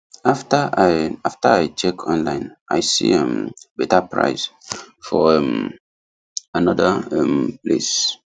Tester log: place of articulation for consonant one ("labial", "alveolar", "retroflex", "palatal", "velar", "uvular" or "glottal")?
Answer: labial